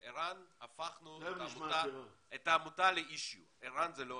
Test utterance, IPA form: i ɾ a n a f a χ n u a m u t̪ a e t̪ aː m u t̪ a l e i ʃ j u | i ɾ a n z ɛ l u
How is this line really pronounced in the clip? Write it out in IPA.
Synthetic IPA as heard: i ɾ a n a f a χ n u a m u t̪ a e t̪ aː m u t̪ a l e i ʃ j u | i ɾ a n z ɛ l o